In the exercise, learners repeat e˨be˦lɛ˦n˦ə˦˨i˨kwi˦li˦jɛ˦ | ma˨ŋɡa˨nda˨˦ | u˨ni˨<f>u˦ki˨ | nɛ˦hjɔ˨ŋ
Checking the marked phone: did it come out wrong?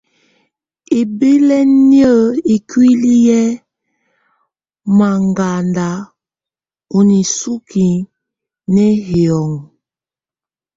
yes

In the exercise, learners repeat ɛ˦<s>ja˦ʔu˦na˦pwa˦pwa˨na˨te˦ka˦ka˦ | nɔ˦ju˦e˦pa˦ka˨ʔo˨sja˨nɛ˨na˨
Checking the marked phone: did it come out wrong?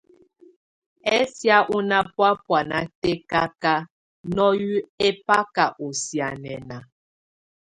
no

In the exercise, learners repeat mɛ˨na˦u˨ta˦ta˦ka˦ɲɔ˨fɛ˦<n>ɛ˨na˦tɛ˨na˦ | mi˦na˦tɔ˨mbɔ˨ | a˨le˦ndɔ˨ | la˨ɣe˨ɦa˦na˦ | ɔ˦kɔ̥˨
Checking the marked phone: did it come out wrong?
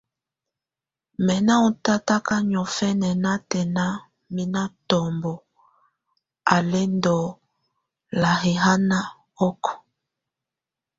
no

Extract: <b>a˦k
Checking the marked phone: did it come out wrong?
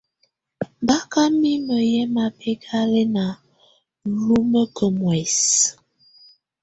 no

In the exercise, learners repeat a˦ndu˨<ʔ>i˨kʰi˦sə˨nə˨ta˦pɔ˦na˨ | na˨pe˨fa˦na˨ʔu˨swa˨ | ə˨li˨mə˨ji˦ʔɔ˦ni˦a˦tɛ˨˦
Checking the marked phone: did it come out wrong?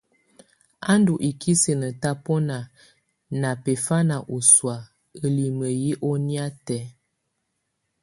no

